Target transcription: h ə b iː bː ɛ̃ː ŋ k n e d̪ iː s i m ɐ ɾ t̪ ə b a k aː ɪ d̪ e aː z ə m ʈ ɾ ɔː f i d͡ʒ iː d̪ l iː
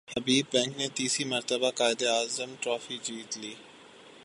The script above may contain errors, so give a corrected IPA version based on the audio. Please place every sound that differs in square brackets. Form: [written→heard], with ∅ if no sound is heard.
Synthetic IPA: h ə b iː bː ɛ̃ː ŋ k n e [d̪→t̪] iː s i m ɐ ɾ t̪ ə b a k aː ɪ d̪ e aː z ə m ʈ ɾ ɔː f i d͡ʒ iː [d̪→t̪] l iː